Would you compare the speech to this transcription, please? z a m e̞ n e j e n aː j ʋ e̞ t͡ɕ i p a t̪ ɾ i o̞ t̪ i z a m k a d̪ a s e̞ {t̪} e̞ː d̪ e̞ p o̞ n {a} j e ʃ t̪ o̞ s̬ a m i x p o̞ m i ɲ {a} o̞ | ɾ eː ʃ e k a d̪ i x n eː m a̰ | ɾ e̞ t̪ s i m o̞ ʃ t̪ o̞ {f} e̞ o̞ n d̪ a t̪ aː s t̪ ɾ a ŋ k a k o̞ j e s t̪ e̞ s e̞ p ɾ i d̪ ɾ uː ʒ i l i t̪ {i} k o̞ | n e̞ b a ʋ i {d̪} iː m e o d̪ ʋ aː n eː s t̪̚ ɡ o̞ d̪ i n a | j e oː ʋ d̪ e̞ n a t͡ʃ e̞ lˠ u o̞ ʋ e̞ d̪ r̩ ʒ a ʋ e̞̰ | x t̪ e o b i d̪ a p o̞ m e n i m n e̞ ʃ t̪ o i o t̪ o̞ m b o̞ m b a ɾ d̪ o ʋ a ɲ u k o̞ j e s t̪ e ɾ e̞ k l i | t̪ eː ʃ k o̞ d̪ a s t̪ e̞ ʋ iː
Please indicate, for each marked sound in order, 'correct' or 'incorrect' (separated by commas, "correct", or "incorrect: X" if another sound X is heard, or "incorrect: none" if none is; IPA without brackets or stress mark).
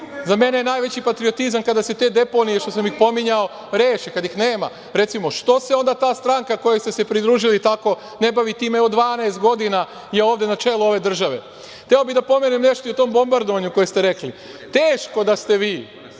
correct, incorrect: i, correct, incorrect: s, incorrect: a, incorrect: t̪